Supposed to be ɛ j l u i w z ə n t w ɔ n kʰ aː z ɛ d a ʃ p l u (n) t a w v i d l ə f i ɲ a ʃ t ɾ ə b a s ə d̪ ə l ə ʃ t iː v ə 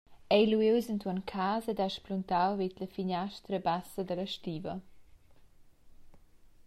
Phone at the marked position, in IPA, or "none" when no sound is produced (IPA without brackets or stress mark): n